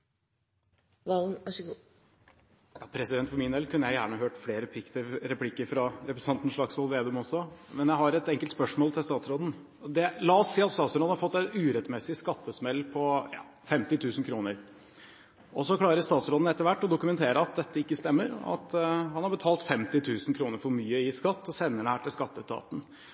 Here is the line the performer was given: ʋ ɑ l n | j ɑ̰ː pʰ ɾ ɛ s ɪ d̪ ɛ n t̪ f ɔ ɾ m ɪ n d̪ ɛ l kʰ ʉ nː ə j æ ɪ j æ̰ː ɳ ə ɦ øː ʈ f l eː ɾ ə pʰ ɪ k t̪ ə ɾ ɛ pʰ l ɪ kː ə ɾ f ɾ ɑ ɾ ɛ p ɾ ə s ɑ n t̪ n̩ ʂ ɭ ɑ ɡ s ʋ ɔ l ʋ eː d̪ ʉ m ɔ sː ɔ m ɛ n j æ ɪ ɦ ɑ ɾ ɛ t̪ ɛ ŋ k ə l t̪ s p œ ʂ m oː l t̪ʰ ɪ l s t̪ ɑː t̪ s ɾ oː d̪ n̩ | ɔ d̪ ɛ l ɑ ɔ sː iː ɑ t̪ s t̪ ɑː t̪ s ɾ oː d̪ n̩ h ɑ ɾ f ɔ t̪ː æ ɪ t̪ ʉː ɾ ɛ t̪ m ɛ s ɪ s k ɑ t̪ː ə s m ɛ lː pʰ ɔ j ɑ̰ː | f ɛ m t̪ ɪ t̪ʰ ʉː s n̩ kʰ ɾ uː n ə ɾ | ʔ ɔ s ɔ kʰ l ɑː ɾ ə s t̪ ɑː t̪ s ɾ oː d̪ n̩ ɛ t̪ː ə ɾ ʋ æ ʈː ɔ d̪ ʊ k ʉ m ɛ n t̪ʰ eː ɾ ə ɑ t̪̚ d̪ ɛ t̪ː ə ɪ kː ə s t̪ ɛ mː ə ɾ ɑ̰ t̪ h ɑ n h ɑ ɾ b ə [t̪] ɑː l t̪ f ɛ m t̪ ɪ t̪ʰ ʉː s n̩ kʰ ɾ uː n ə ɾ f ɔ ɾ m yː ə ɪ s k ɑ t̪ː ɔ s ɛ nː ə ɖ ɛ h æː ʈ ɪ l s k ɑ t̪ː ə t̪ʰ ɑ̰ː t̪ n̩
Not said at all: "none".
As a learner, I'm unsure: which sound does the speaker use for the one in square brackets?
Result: t̪ʰ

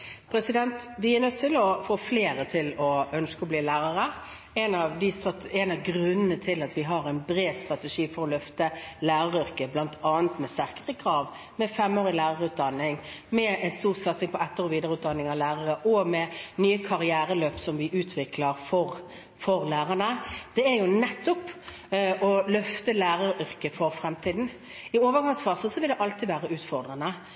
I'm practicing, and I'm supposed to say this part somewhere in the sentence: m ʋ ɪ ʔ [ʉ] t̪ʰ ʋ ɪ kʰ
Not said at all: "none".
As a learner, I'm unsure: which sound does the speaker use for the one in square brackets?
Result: ʉː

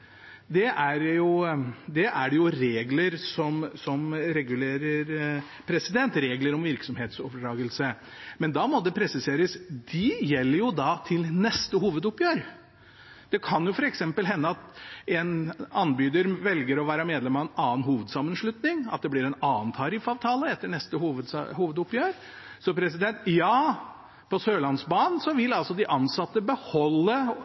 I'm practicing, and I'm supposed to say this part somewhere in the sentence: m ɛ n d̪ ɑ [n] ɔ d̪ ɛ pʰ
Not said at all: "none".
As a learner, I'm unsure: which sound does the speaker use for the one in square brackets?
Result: m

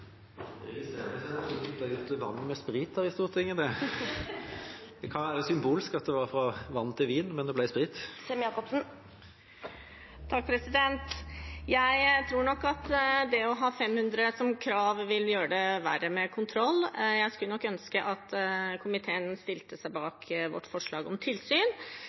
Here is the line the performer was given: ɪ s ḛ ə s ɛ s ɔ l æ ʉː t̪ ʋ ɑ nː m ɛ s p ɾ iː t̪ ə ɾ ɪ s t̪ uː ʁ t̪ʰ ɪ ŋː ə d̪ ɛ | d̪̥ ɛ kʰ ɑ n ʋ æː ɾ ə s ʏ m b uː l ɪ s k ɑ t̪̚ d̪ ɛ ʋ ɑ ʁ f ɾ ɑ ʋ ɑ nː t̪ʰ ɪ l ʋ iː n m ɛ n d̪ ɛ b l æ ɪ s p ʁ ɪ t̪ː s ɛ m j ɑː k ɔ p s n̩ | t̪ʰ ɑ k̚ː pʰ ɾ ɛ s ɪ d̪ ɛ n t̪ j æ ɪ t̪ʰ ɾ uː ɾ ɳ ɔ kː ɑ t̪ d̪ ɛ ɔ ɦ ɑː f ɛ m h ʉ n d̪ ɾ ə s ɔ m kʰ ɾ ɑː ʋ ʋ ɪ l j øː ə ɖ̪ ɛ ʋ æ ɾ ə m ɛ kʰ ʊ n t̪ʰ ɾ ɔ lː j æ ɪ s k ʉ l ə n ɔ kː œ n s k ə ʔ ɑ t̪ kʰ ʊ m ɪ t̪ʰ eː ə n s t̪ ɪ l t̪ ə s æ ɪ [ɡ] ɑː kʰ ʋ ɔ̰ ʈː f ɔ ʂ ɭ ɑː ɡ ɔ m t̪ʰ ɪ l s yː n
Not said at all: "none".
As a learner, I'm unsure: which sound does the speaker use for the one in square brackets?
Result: b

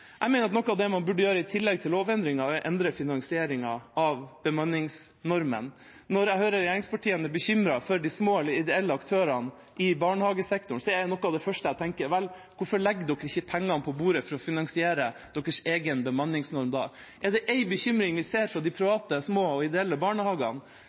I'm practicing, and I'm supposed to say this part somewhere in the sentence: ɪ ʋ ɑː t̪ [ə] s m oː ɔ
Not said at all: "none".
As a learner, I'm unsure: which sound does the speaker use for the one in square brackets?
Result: ə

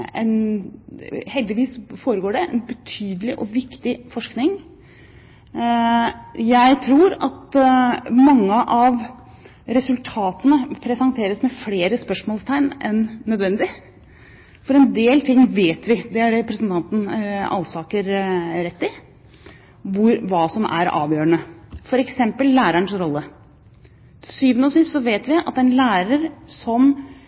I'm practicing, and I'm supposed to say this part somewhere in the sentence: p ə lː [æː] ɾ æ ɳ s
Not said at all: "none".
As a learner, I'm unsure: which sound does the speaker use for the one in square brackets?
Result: æː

